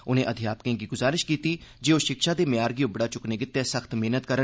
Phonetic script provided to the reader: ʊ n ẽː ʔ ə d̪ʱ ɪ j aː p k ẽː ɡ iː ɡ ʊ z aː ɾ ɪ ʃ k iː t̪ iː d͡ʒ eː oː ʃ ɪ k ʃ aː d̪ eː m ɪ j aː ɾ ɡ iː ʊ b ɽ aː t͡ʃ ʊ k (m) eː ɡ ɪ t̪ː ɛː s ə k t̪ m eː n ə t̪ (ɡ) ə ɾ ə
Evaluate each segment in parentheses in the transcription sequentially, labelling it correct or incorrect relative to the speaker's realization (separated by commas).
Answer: incorrect, incorrect